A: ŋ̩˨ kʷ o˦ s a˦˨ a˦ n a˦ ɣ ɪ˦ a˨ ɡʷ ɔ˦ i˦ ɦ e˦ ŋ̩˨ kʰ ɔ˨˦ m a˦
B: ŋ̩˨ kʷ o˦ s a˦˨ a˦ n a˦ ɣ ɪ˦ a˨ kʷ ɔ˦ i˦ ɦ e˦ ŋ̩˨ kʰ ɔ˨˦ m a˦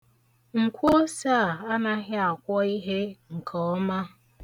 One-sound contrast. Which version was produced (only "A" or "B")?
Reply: B